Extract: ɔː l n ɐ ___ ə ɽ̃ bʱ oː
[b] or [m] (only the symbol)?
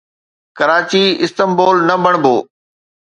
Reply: b